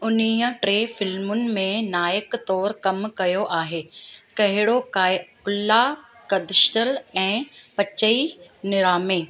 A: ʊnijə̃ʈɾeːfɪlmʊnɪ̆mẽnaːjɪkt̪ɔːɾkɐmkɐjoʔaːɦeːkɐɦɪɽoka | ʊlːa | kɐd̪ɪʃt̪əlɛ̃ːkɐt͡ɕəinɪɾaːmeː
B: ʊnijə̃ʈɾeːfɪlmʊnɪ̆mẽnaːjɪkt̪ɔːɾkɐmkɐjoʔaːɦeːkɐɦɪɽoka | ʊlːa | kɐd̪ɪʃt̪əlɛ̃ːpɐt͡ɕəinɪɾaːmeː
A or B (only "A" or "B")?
B